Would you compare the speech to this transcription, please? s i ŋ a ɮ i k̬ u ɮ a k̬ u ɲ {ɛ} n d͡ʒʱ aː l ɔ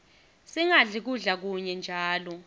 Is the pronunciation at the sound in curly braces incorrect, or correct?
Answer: correct